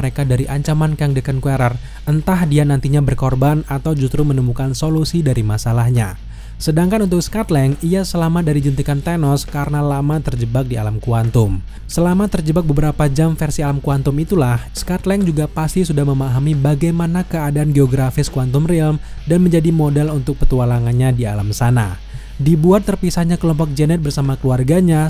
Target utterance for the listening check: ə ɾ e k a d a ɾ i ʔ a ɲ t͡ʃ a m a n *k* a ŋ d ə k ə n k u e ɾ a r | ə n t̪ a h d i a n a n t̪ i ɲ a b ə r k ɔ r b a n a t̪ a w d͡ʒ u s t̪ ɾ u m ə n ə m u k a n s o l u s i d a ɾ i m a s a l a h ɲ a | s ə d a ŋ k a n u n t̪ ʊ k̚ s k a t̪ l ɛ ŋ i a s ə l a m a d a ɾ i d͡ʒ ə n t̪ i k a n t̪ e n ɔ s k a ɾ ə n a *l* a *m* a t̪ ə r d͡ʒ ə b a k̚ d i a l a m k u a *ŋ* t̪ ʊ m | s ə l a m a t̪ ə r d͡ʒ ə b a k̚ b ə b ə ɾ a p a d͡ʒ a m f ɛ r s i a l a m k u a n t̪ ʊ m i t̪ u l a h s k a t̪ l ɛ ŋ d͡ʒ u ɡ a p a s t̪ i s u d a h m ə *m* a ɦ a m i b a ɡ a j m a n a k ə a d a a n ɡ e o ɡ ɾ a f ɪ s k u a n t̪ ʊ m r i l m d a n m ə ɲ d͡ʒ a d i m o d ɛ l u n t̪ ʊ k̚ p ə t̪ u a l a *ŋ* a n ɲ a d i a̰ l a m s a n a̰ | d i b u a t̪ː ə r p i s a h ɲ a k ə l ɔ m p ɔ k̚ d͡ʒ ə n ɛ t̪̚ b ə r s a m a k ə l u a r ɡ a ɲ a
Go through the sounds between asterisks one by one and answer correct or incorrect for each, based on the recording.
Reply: correct, correct, correct, incorrect: n, correct, correct

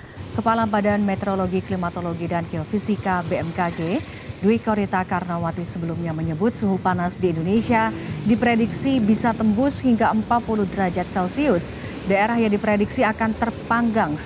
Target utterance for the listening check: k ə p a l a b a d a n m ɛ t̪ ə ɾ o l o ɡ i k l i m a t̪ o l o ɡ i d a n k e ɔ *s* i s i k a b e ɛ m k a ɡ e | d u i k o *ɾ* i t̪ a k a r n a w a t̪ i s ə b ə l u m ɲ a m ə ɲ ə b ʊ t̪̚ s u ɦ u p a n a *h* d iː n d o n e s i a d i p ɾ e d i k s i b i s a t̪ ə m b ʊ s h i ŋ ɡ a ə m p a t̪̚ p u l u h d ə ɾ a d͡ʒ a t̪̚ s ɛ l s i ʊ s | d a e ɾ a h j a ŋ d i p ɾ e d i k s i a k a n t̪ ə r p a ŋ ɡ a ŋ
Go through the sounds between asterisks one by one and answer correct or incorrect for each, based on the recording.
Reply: incorrect: f, correct, incorrect: s

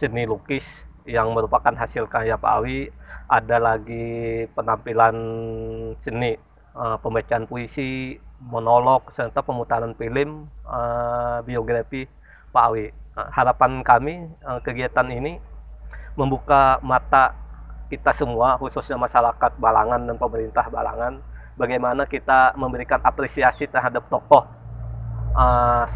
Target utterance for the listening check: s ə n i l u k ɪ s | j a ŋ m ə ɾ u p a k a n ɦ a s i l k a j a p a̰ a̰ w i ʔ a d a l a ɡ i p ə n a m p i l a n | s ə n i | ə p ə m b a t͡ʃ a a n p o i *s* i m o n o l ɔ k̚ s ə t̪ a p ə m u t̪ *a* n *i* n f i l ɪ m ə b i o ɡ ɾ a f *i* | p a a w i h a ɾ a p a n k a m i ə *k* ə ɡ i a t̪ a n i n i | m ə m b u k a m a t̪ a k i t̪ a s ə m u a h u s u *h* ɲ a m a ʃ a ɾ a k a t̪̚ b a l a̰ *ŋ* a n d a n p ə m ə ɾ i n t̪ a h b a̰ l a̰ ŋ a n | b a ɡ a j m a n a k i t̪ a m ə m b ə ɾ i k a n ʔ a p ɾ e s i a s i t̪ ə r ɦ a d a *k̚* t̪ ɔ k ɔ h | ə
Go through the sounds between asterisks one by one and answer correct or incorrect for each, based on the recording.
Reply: correct, correct, incorrect: a, correct, correct, incorrect: s, correct, incorrect: p̚

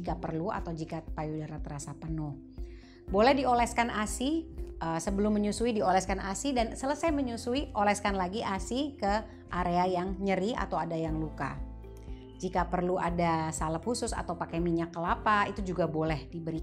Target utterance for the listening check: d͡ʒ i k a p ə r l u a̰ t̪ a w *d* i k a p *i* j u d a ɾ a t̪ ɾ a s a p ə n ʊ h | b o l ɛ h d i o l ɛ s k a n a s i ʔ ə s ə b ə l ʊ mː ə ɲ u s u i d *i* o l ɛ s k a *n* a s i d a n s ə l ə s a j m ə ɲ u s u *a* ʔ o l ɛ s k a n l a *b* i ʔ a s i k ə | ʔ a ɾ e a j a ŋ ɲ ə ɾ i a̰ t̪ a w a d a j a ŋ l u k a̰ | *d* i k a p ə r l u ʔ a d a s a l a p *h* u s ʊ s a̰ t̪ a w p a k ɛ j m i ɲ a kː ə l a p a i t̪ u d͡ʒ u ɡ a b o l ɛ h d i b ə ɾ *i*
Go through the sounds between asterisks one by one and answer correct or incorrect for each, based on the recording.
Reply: incorrect: d͡ʒ, incorrect: a, correct, correct, incorrect: i, incorrect: ɡ, incorrect: d͡ʒ, correct, correct

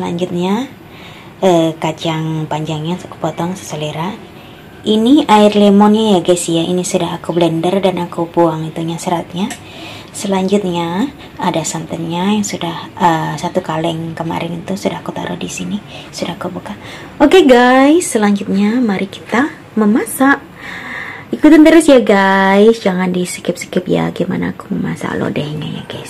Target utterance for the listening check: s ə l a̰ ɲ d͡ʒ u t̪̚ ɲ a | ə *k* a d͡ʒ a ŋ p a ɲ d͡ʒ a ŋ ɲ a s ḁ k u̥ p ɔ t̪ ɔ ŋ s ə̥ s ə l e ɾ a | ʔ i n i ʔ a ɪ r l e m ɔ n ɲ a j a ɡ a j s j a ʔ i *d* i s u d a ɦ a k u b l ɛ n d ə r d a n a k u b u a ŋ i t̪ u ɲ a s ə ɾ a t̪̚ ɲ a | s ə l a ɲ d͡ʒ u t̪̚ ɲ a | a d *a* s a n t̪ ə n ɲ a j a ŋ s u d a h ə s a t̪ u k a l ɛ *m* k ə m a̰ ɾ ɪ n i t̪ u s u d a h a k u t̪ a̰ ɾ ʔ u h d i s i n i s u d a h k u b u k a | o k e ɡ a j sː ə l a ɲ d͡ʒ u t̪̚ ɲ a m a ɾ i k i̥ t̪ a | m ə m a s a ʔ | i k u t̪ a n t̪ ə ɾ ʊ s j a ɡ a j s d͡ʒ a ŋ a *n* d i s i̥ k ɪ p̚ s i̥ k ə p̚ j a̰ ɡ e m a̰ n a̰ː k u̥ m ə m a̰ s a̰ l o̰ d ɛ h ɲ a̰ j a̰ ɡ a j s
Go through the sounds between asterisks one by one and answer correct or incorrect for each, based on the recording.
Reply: correct, incorrect: n, correct, incorrect: ŋ, correct

